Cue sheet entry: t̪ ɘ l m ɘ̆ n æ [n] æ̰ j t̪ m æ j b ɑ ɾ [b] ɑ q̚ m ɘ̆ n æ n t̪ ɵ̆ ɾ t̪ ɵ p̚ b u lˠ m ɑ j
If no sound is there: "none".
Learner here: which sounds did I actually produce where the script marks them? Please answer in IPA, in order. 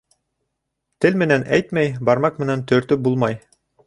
n, m

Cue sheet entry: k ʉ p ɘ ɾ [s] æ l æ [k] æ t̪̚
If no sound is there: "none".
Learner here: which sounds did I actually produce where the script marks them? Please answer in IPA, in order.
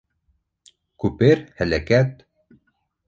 h, k

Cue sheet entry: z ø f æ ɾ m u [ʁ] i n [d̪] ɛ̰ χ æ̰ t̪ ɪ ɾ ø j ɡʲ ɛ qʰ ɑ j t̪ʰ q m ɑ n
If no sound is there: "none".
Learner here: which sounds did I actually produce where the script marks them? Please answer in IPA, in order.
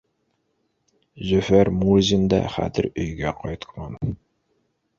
z, d̪

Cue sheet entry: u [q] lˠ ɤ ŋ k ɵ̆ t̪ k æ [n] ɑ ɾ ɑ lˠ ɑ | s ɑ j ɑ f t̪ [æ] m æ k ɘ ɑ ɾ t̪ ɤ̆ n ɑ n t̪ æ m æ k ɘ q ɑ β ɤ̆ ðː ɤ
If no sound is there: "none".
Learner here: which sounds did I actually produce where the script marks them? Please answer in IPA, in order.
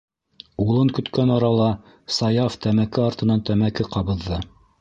none, n, æ

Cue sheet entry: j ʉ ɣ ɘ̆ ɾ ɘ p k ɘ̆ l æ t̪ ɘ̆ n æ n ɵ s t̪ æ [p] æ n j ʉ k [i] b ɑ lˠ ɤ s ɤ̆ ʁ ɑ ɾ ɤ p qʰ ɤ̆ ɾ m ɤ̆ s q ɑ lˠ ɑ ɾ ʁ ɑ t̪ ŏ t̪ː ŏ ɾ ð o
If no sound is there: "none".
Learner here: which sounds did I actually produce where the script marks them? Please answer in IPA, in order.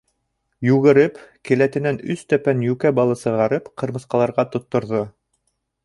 p, æ

